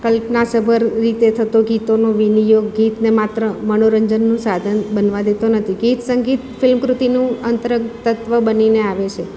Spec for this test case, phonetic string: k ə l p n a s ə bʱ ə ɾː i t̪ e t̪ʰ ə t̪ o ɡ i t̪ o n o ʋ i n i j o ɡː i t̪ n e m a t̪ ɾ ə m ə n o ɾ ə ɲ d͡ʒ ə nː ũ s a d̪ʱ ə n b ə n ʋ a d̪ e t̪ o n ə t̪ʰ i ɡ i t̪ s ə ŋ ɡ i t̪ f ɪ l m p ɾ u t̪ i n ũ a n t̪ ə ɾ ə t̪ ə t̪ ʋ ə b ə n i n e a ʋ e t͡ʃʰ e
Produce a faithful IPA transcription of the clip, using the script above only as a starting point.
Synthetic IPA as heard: k ə l p n a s ə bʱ ə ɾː i t̪ e t̪ʰ ə t̪ o ɡ i t̪ o n o ʋ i n i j o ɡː i t̪ n e m a t̪ ɾ ə m ə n o ɾ ə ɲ d͡ʒ ə nː ũ s a d̪ʱ ə n b ə n ʋ a d̪ e t̪ o n ə t̪ʰ i ɡ i t̪ s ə ŋ ɡ i t̪ f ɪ l m k ɾ u t̪ i n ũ ə n t̪ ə ɾ ə t̪ ə t̪ ʋ ə b ə n i n e a ʋ e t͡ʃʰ e